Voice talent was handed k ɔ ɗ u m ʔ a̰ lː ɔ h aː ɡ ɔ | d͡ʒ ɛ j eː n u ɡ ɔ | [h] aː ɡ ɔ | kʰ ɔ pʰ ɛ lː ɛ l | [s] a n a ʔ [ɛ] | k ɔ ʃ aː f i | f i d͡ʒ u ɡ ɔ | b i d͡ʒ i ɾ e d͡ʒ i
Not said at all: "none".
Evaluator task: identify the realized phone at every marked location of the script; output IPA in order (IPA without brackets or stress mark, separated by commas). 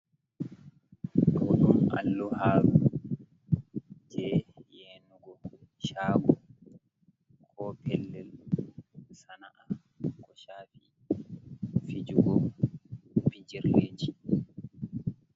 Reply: ʃ, s, a